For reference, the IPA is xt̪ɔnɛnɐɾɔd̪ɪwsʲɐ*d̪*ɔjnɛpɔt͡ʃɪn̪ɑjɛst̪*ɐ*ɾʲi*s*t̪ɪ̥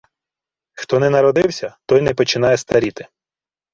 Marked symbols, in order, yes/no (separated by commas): no, yes, no